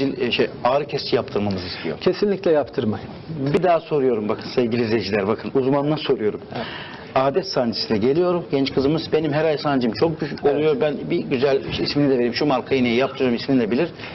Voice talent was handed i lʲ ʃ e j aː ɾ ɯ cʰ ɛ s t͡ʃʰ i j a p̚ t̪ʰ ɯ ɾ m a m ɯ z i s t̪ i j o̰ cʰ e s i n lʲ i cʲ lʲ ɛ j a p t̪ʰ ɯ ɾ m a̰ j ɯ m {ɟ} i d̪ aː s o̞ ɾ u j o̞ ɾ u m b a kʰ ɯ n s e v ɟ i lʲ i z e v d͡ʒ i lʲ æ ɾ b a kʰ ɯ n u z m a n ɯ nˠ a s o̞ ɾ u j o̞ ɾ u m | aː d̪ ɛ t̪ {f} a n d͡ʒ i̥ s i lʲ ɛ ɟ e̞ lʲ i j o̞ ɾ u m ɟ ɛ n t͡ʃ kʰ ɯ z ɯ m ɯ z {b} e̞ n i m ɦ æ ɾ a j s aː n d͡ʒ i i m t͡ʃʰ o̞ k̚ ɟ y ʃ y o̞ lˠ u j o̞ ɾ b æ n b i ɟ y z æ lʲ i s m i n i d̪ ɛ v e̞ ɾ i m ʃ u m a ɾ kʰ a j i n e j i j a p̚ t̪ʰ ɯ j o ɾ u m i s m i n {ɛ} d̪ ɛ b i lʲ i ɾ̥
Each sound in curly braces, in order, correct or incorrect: incorrect, incorrect, correct, incorrect

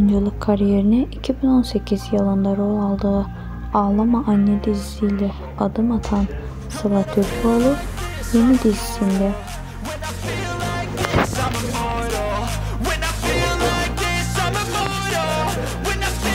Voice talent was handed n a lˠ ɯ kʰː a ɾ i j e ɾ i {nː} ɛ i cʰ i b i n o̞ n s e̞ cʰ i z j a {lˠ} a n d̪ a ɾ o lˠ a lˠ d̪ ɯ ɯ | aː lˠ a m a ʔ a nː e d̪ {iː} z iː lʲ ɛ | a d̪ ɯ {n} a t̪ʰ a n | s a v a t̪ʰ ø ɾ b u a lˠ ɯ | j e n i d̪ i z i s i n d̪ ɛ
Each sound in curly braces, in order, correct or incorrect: incorrect, correct, incorrect, incorrect

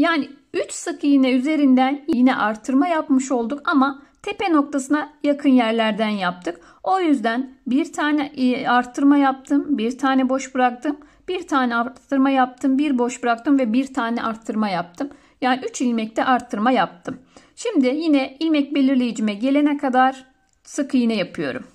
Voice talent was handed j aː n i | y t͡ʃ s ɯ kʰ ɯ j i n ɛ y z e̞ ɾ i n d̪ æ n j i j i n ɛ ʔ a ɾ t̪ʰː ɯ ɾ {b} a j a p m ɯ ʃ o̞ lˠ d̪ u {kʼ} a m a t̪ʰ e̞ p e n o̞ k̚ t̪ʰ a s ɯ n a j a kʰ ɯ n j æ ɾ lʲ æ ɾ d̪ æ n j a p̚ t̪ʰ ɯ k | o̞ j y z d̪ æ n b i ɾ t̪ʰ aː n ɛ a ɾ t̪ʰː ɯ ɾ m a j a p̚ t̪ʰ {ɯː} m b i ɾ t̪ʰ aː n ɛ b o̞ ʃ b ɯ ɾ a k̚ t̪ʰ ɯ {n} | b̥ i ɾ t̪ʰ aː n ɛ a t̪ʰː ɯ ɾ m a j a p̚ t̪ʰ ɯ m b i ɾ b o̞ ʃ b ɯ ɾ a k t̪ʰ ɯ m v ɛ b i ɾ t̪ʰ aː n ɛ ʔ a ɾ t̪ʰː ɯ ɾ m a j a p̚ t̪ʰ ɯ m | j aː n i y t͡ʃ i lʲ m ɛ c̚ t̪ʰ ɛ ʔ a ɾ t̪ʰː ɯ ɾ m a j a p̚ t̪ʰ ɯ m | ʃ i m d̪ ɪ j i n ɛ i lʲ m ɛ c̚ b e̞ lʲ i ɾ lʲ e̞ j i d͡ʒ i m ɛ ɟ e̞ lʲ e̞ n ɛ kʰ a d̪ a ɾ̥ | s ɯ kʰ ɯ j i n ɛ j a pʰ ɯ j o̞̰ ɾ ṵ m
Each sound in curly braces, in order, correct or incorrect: incorrect, incorrect, incorrect, incorrect

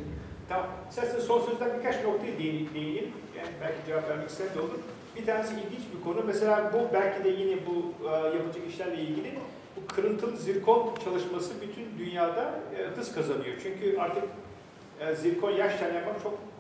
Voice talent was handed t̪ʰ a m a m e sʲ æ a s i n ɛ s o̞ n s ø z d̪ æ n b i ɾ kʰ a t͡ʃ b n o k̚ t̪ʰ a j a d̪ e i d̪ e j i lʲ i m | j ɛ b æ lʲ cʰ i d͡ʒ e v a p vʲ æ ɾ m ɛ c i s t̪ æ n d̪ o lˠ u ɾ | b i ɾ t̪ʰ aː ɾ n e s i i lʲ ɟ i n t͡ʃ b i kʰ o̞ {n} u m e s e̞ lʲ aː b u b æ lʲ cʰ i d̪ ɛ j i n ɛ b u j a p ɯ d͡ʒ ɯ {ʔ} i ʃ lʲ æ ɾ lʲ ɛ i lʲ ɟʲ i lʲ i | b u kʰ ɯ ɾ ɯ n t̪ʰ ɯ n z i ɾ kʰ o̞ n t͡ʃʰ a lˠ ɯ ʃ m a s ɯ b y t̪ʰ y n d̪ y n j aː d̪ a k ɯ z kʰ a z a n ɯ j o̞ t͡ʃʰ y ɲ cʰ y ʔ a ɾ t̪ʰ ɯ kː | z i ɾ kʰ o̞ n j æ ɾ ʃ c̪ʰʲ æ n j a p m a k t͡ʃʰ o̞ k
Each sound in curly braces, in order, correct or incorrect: correct, incorrect

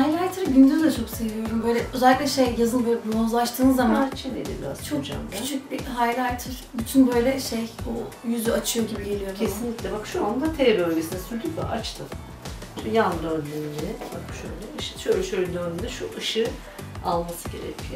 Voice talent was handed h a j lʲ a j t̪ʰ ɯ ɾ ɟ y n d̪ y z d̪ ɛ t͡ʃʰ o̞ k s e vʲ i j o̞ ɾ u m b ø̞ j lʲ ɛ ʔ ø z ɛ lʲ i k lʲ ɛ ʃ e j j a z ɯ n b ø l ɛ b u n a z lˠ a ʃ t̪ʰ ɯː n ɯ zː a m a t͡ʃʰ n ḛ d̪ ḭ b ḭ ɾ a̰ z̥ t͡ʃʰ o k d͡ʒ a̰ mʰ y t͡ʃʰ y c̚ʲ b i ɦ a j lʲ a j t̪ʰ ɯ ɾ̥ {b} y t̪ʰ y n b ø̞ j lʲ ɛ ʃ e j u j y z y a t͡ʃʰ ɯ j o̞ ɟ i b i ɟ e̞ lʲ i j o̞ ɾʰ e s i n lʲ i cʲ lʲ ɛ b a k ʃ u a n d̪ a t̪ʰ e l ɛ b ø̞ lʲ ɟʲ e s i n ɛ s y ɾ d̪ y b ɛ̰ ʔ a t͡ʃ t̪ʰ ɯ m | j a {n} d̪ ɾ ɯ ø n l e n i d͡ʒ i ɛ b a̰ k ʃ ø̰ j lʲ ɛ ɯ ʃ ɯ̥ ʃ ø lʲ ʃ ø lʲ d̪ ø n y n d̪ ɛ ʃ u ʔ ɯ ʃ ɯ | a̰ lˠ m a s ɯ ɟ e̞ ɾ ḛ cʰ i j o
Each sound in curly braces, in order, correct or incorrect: correct, correct

